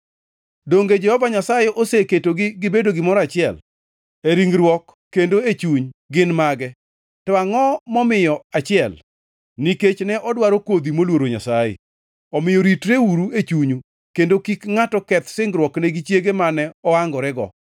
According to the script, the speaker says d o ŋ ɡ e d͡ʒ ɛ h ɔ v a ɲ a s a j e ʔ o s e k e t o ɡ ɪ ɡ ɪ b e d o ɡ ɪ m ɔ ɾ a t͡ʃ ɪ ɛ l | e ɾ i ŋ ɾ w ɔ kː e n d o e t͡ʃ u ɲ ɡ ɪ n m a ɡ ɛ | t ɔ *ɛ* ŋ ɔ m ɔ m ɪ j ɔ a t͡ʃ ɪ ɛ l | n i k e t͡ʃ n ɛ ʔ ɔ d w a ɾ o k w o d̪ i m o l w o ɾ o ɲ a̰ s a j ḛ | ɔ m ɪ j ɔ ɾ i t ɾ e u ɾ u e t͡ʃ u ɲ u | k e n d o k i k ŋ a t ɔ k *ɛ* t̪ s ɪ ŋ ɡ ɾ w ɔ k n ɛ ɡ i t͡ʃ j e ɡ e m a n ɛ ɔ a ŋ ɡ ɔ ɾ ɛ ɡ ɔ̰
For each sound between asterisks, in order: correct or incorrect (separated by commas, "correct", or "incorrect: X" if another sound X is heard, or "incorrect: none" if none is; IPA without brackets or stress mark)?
incorrect: a, correct